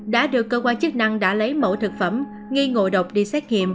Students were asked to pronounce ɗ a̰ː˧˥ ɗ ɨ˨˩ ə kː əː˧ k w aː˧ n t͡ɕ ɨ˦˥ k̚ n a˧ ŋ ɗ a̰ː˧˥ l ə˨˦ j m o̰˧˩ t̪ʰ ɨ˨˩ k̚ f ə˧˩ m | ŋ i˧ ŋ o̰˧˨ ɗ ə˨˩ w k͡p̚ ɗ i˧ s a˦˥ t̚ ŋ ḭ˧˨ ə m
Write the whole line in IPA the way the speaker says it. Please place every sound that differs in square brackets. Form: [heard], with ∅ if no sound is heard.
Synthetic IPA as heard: ɗ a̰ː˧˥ ɗ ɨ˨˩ ə kː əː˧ k w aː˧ n t͡ɕ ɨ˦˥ k̚ n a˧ ŋ ɗ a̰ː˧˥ l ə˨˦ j m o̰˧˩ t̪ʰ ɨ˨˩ k̚ f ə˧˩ m | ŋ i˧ ŋ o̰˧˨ ɗ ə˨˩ w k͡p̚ ɗ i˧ s [ɛ˦˥] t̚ ŋ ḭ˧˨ ə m